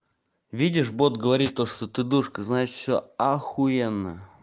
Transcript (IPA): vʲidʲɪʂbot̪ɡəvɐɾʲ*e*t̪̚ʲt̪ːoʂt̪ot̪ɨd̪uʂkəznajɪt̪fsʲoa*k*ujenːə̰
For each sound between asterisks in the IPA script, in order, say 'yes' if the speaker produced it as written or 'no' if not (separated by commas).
no, no